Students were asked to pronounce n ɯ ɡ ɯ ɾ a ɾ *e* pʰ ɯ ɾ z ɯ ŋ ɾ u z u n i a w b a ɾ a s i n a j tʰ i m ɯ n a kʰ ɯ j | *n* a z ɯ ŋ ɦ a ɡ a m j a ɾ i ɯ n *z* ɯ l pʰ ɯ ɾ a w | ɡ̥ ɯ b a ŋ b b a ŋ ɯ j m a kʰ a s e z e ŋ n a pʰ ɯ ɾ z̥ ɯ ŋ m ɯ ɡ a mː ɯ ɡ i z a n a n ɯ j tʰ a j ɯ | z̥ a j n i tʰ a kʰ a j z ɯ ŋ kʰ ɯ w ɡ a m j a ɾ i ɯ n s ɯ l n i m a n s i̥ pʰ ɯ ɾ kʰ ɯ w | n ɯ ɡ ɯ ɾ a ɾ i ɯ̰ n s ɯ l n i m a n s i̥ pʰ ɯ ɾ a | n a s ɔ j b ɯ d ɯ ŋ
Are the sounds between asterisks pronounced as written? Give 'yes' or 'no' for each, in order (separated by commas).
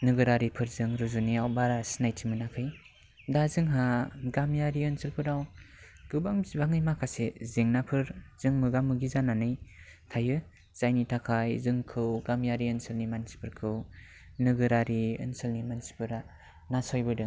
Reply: no, no, no